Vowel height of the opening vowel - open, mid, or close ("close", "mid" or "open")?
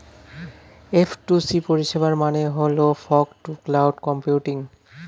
mid